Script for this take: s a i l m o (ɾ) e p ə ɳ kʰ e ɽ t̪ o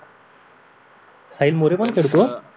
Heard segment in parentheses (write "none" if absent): ɾ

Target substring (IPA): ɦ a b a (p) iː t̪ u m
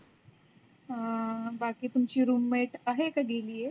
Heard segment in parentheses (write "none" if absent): k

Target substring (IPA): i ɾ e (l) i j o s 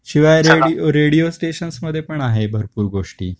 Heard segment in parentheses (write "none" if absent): ɽ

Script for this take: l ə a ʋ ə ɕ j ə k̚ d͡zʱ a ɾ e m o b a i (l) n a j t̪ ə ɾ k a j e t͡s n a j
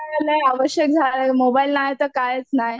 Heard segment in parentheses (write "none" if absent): l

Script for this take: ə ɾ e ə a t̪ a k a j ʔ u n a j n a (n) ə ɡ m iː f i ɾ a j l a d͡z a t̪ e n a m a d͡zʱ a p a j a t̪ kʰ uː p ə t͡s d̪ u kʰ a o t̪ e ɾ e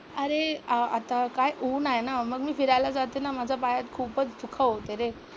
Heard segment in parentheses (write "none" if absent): m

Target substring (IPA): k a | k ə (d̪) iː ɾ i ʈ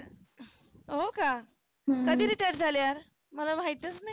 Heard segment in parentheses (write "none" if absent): d̪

